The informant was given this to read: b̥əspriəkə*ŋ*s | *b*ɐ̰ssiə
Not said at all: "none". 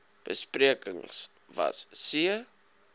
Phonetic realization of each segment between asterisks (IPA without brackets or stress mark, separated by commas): ŋ, v